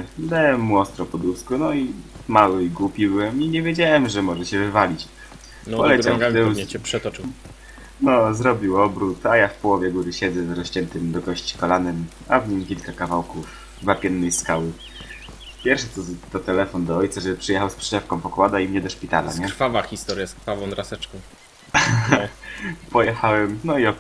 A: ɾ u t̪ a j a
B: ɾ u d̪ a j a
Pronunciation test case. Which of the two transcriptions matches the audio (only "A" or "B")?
A